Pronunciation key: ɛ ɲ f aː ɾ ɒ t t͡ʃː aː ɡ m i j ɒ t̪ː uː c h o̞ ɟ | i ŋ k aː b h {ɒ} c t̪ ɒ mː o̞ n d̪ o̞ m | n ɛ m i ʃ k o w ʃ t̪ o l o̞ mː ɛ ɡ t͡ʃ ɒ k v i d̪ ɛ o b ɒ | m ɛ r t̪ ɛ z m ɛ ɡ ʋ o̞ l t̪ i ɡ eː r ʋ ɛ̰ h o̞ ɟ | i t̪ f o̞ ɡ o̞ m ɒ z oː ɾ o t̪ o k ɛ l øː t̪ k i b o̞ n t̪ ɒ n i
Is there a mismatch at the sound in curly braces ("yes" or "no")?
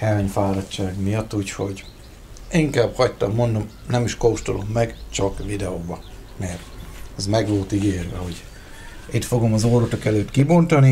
no